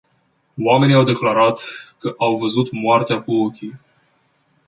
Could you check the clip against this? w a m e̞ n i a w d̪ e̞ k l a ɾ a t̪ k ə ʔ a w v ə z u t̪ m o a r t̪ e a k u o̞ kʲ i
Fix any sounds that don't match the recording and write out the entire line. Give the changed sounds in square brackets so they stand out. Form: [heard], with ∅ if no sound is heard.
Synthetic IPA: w a m e̞ n i a w d̪ e̞ k l a ɾ a t̪ k ə ʔ a w v ə z u t̪ m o a r t̪ e a k u o̞ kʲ i